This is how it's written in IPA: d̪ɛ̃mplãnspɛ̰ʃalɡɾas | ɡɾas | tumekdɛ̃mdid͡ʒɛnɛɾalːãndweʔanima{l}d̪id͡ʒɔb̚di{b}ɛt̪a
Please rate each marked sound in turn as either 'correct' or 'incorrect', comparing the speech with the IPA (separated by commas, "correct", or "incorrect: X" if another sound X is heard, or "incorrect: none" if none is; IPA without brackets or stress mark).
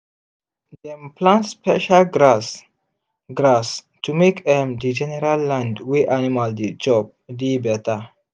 correct, correct